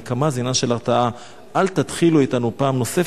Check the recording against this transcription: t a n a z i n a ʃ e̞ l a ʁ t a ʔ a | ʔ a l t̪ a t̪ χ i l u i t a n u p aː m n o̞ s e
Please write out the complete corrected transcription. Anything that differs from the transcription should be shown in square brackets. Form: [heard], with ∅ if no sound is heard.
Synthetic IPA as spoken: [k] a [m] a z i n a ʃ e̞ l a ʁ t a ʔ a | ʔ a l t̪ a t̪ χ i l u i t a n u p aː m n o̞ s e